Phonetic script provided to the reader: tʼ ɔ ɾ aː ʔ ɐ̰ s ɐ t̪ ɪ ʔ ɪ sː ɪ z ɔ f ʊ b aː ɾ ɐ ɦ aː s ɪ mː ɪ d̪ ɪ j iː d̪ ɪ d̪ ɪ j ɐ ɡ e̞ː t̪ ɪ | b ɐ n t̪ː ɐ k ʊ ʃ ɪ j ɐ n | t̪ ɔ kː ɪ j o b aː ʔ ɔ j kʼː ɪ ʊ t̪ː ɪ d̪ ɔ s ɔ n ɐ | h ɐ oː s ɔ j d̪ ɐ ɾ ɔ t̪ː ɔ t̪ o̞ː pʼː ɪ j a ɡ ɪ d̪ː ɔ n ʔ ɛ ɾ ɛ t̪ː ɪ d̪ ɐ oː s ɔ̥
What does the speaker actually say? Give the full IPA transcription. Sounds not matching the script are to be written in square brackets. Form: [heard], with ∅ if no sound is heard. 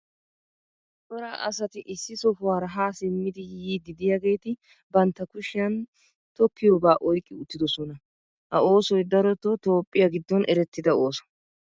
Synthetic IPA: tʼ ɔ ɾ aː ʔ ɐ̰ s ɐ t̪ ɪ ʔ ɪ sː ɪ [s] ɔ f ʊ [w] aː ɾ ɐ ɦ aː s ɪ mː ɪ d̪ ɪ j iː d̪ ɪ d̪ ɪ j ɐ ɡ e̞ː t̪ ɪ | b ɐ n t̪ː ɐ k ʊ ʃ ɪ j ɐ n | t̪ ɔ kː ɪ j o b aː ʔ ɔ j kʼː ɪ ʊ t̪ː ɪ d̪ ɔ s ɔ n ɐ | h ɐ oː s ɔ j d̪ ɐ ɾ ɔ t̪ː ɔ t̪ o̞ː pʼː ɪ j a ɡ ɪ d̪ː ɔ n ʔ ɛ ɾ ɛ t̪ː ɪ d̪ ɐ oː s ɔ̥